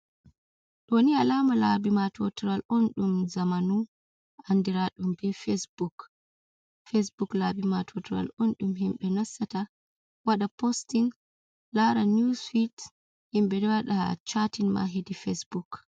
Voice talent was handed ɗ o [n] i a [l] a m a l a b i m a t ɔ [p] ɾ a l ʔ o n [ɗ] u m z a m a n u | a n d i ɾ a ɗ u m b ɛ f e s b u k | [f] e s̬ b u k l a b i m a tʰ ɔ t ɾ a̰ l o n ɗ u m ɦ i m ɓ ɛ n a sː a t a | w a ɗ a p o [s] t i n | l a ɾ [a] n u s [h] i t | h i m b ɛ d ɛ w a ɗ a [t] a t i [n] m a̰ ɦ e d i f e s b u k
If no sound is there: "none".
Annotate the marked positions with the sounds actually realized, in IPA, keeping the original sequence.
n, l, t, ɗ, f, s, a, f, t͡ʃ, n

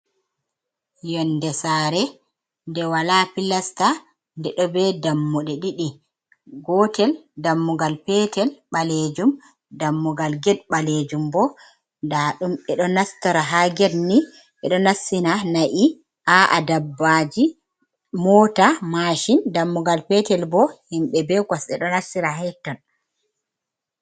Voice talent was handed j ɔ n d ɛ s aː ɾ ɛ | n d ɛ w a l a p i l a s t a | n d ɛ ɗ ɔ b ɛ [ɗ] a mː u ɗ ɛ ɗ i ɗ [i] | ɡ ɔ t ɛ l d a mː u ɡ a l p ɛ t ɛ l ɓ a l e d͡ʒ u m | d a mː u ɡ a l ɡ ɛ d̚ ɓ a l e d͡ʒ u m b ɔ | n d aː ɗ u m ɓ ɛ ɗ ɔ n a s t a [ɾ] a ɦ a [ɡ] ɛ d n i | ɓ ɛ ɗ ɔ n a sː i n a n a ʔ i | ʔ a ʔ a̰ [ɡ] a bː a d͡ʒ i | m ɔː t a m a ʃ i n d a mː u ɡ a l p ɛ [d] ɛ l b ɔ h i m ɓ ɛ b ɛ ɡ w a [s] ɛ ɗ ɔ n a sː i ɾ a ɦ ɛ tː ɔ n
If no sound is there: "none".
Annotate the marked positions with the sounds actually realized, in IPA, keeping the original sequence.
d, i, ɾ, ɡ, d, t, s

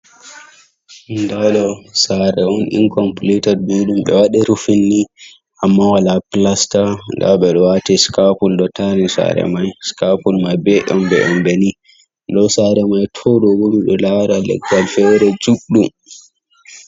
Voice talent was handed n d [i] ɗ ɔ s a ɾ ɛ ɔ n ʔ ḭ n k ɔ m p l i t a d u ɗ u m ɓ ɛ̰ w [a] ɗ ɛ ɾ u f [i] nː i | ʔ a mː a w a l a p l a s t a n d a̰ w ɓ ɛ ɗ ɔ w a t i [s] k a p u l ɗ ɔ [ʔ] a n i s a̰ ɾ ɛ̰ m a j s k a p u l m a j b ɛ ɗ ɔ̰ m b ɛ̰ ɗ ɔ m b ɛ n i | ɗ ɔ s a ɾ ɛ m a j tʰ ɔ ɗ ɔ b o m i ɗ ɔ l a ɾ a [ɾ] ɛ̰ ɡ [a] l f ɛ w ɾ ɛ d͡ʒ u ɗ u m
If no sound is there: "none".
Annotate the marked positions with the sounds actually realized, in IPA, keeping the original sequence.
a, a, i, s, t, l, a

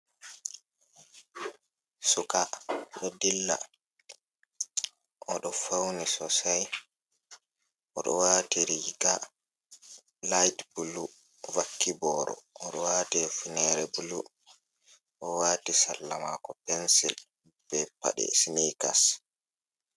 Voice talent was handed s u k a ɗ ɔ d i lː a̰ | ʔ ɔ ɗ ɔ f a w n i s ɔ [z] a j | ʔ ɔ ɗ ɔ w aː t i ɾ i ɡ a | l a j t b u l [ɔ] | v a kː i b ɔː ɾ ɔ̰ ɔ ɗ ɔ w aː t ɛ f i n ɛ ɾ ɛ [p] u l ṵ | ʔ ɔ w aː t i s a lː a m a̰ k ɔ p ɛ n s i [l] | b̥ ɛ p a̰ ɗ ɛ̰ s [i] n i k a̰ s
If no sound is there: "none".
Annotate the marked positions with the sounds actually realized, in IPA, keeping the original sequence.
s, u, b, l, i

